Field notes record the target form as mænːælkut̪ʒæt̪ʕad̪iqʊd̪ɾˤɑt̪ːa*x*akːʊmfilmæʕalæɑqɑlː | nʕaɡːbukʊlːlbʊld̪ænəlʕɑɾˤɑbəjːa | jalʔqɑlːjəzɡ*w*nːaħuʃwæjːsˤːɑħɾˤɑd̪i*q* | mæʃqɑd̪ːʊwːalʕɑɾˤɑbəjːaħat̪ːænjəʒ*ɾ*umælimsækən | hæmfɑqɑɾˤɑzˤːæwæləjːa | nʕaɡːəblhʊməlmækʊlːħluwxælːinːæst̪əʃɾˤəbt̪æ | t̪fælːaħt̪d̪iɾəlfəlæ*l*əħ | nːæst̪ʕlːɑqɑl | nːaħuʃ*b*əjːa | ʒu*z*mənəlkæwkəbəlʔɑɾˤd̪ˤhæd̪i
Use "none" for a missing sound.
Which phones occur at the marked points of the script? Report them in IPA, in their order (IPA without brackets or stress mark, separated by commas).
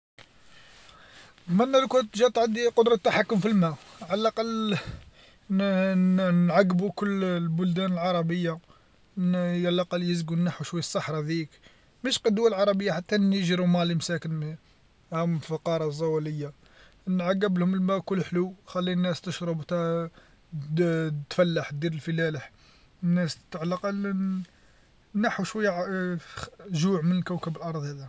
ħ, u, k, ɾ, l, w, ʕ